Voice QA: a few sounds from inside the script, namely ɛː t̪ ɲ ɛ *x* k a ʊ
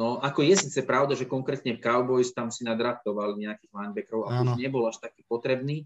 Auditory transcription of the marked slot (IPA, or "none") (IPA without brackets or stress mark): f